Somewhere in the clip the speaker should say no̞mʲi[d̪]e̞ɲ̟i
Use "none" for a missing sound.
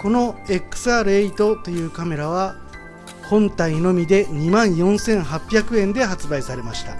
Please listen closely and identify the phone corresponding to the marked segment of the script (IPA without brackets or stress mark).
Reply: d̪